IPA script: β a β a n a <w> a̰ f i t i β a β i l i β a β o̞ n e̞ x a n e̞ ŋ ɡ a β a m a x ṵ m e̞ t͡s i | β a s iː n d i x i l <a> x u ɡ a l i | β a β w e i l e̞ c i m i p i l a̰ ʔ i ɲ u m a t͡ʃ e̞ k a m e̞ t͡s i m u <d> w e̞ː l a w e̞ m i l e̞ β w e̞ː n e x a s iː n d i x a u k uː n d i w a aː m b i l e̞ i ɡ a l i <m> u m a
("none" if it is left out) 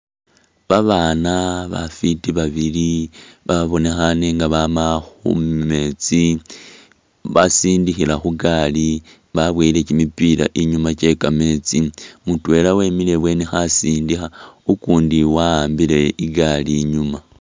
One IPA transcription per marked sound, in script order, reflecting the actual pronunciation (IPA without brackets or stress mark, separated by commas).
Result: β, a, t, ɲ